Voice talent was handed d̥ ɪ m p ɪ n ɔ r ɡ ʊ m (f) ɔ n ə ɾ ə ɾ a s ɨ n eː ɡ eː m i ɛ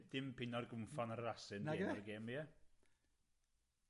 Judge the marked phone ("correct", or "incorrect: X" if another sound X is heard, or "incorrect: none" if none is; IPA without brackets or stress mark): correct